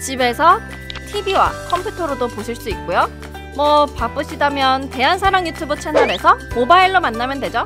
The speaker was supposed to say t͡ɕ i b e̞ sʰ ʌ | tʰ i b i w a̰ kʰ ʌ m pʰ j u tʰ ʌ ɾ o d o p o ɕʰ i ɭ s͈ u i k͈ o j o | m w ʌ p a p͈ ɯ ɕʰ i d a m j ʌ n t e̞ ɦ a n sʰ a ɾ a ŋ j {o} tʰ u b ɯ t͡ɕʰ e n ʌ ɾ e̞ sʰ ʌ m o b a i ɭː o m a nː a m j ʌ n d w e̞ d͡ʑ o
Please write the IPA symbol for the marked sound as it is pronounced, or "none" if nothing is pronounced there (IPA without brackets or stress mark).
u